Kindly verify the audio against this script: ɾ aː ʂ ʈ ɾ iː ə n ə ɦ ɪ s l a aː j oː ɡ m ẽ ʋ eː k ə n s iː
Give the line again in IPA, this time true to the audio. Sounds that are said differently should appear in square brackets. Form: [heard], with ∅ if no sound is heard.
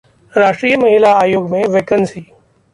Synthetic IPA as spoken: ɾ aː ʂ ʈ ɾ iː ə [m] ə ɦ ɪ [∅] l a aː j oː ɡ m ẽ ʋ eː k ə n s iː